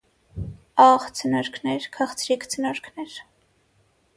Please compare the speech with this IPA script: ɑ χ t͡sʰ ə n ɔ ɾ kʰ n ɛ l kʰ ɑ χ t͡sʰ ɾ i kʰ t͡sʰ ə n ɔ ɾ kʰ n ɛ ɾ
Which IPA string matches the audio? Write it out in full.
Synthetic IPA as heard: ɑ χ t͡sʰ ə n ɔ ɾ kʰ n ɛ ɾ kʰ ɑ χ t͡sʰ ɾ i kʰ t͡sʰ ə n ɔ ɾ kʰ n ɛ ɾ